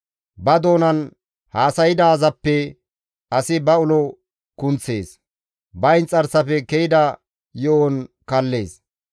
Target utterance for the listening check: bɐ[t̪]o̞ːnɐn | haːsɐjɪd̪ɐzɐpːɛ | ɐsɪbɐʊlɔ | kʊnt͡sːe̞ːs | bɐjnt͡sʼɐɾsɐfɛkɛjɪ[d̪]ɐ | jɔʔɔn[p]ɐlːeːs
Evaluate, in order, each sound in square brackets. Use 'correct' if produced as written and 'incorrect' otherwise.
incorrect, correct, incorrect

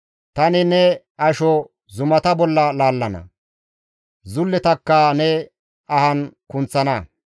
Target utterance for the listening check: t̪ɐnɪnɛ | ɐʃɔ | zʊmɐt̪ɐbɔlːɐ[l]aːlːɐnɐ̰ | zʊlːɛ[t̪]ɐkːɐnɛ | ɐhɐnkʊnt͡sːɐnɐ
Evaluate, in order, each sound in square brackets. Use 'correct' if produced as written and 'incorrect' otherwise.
correct, correct

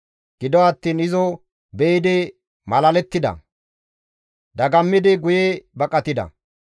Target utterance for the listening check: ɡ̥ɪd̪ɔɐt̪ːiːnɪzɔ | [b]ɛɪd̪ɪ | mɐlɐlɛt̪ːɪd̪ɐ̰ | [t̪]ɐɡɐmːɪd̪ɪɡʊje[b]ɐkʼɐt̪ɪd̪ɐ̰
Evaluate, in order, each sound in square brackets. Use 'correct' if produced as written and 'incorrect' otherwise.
correct, incorrect, correct

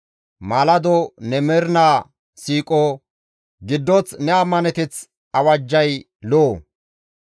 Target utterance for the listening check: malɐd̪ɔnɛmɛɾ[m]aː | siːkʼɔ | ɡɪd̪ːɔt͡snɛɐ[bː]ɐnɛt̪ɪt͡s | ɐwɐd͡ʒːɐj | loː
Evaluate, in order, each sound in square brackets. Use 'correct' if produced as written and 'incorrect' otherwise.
incorrect, incorrect

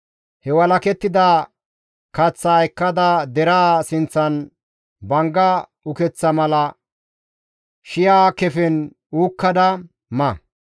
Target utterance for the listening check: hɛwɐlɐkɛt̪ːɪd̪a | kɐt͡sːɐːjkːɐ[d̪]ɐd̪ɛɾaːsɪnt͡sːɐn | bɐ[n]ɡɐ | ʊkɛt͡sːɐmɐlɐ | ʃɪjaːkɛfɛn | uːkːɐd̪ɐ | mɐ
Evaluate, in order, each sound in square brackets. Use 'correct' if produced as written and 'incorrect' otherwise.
correct, incorrect

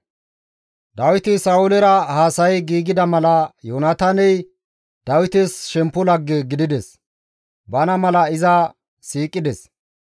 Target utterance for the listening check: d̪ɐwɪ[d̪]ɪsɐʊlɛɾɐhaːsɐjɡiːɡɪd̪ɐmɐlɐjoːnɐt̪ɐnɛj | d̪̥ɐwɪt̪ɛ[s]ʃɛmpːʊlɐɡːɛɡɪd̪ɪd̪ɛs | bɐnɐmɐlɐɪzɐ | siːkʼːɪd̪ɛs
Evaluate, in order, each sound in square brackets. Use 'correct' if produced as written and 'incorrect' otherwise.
incorrect, correct

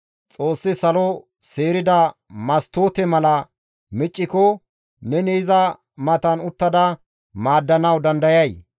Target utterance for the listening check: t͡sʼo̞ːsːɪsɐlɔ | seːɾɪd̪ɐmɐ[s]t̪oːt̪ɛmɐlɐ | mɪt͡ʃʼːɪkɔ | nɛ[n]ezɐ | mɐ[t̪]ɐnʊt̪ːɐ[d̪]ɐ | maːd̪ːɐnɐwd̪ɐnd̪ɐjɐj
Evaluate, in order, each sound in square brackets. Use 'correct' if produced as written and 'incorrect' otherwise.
correct, correct, correct, correct

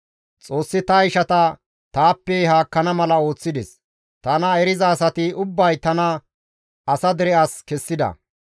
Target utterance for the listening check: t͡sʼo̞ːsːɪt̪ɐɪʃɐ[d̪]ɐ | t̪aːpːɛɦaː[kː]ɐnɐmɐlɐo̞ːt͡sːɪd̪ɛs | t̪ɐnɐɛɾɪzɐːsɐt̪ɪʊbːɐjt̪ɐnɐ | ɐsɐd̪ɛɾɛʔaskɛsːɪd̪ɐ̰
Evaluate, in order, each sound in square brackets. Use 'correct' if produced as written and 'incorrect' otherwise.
incorrect, correct

